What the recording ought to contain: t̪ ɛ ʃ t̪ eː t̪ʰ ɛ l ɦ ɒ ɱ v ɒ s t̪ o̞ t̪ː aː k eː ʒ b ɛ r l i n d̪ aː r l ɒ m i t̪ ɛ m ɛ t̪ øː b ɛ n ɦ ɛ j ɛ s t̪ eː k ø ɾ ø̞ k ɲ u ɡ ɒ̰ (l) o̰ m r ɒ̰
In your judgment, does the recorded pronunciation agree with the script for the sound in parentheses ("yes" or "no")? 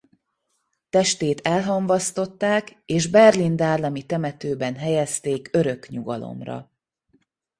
yes